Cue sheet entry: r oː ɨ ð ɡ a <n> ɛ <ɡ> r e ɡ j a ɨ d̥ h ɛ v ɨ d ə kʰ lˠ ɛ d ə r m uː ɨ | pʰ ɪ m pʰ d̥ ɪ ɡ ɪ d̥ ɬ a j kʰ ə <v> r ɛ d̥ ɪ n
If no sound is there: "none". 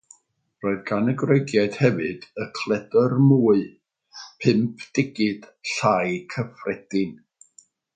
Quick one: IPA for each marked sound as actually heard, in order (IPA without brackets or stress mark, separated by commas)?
n, ɡ, f